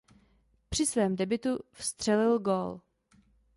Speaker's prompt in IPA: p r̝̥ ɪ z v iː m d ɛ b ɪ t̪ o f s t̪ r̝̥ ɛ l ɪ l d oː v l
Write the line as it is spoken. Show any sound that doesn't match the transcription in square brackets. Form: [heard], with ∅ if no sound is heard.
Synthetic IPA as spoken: p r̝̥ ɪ [s] v [ɛː] m d ɛ b ɪ t̪ [u] f s t̪ r̝̥ ɛ l ɪ l [ɡ] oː [∅] l

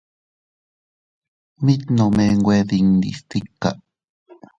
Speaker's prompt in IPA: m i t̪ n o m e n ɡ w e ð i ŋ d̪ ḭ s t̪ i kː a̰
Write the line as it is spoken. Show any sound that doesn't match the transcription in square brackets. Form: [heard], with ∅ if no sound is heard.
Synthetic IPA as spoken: m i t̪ n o m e [ŋ] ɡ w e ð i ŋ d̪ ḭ s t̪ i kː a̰

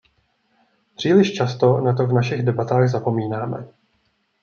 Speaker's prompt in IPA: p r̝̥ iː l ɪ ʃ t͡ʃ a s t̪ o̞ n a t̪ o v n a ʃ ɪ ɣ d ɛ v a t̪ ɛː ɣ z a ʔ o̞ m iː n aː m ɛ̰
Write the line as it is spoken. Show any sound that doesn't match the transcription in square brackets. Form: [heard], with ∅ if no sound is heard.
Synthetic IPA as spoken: p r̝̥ iː l ɪ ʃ t͡ʃ a s t̪ o̞ n a t̪ o v n a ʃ ɪ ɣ d ɛ [b] a t̪ [aː] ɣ z a [p] o̞ m iː n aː m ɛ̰

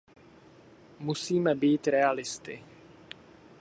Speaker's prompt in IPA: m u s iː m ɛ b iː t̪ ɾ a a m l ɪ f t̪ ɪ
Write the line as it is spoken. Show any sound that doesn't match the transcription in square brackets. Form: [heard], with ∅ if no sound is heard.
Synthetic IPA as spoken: m u s iː m ɛ b iː t̪ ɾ [ɛ] a [∅] l ɪ [s] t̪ ɪ

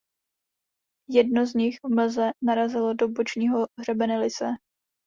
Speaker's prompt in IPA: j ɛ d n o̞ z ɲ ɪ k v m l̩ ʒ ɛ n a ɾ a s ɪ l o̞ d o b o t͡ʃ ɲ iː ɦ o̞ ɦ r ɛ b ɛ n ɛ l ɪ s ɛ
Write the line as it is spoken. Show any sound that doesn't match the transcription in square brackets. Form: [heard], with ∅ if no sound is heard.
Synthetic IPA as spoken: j ɛ d n o̞ z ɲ ɪ [x] v m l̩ [z] ɛ n a ɾ a [z] ɪ l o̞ d o b o t͡ʃ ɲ iː ɦ o̞ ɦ r ɛ b ɛ n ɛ l ɪ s ɛ

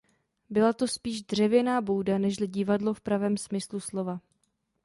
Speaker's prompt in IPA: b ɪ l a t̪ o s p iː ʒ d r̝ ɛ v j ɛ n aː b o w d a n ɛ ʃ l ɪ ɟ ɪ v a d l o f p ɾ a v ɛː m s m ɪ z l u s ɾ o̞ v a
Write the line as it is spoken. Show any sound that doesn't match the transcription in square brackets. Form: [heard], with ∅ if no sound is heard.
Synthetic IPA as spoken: b ɪ l a t̪ o s p iː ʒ d r̝ ɛ v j ɛ n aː b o w d a n ɛ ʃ l ɪ ɟ ɪ v a d l o f p ɾ a v ɛː m s m ɪ [s] l u s [l] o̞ v a

